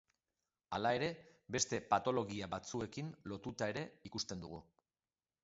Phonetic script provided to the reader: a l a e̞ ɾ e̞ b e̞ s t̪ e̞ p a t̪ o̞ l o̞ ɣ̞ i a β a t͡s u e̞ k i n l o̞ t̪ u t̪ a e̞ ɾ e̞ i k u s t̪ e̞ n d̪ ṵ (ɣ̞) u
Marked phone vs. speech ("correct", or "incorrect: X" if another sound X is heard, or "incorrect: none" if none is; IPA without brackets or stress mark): correct